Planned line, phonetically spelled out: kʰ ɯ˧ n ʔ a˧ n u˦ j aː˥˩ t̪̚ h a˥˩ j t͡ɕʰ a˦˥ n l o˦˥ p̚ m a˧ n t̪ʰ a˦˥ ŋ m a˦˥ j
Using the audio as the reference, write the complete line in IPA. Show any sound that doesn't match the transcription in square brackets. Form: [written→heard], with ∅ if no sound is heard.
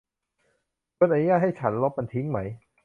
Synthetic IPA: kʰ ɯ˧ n ʔ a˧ n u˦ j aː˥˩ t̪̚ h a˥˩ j t͡ɕʰ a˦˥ n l o˦˥ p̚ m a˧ n t̪ʰ [a˦˥→i˦˥] ŋ m a˦˥ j